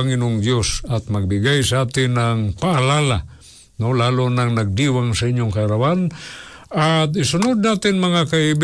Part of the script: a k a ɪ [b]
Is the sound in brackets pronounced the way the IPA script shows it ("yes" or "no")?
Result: yes